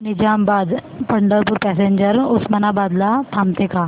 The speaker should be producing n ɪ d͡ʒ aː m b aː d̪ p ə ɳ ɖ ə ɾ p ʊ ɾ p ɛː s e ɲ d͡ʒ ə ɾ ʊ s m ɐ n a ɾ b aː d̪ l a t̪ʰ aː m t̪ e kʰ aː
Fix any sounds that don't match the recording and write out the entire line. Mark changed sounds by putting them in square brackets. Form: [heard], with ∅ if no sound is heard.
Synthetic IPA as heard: n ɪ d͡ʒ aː m b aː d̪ p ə ɳ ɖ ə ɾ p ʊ ɾ p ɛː s e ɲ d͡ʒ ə ɾ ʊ s m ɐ n a [∅] b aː d̪ l a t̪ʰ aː m t̪ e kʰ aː